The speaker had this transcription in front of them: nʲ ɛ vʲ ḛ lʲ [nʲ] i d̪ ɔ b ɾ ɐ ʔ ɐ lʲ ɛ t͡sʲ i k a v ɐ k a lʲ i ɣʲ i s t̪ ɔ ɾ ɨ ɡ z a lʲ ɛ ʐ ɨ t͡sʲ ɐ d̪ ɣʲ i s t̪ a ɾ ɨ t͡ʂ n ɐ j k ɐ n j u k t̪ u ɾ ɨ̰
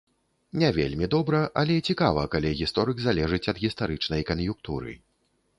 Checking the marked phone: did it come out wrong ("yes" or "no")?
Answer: yes